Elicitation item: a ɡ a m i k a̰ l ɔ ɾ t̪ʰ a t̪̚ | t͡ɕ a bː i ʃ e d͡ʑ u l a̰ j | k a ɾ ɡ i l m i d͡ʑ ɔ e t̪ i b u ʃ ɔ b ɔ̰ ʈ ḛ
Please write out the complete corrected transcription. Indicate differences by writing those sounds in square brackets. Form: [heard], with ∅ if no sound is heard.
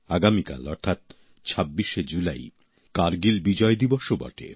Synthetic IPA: a ɡ a m i k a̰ l ɔ ɾ t̪ʰ a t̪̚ | [t͡ɕʰ] a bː i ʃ e d͡ʑ u l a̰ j | k a ɾ ɡ i l [b] i d͡ʑ ɔ e [d̪] i b [o] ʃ [o] b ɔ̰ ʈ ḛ